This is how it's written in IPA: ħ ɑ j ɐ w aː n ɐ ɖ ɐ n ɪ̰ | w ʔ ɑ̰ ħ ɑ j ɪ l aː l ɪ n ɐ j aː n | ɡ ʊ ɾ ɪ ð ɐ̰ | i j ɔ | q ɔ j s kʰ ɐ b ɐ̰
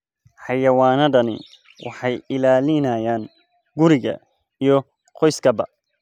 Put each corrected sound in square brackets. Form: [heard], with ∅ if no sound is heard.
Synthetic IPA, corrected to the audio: ħ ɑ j ɐ w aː n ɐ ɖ ɐ n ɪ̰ | w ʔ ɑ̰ ħ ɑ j ɪ l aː l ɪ n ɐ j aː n | ɡ ʊ ɾ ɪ [ɣ] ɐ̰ | i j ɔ | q ɔ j s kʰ ɐ b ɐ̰